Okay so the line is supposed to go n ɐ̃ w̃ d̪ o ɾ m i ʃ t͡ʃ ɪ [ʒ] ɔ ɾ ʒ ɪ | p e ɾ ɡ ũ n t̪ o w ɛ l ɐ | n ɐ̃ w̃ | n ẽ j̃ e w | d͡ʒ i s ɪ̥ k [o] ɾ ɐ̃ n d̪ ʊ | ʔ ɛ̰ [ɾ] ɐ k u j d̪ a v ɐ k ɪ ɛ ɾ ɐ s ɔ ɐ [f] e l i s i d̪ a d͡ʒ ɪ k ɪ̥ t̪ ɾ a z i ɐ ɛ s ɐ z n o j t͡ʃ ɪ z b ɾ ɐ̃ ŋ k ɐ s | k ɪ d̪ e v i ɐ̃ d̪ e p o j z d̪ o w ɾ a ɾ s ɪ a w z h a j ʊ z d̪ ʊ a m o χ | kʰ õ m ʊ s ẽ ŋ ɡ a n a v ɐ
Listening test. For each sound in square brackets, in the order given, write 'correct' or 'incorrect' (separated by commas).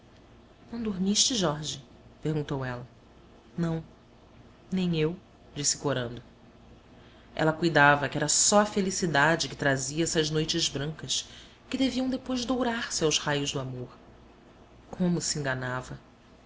correct, correct, incorrect, correct